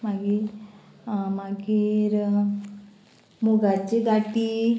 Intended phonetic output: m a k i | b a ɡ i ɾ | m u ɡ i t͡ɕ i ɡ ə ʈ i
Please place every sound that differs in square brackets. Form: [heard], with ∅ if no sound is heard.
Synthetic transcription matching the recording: m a [ɡ] i | [m] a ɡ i ɾ | m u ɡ [a] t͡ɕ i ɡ [a] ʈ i